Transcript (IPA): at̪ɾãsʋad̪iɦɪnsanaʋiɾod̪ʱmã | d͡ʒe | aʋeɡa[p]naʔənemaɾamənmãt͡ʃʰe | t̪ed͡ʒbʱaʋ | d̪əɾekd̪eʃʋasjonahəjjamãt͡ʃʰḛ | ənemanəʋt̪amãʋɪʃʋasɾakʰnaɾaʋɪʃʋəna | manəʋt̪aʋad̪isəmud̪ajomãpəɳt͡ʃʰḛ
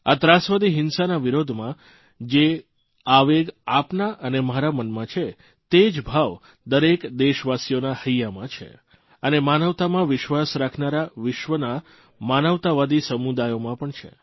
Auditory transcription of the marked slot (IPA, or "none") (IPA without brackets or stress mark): p